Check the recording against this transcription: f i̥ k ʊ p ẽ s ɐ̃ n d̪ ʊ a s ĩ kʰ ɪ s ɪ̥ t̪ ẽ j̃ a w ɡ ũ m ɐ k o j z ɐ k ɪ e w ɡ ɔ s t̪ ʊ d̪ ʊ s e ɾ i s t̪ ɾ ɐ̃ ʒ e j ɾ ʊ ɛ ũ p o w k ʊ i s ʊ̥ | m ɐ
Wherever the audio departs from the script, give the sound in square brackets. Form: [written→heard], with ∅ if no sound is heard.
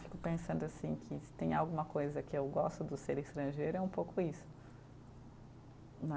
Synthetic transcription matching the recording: f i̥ k ʊ p ẽ s ɐ̃ n d̪ ʊ a s ĩ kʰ ɪ s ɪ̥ t̪ ẽ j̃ a w ɡ ũ m ɐ k o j z ɐ k ɪ e w ɡ ɔ s t̪ ʊ d̪ ʊ s e ɾ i s t̪ ɾ ɐ̃ ʒ e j ɾ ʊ ɛ ũ p o w k ʊ i s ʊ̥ | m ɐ